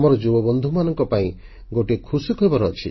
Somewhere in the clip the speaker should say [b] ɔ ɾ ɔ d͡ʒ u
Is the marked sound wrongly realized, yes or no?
yes